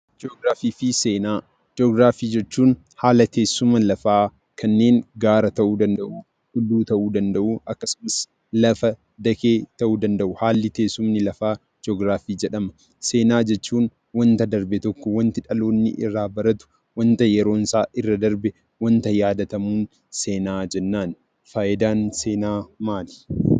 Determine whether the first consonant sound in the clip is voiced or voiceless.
voiced